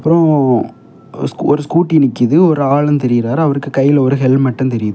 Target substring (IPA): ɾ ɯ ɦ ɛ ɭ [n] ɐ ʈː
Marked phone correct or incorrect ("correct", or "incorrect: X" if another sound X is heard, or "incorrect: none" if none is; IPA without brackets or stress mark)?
incorrect: m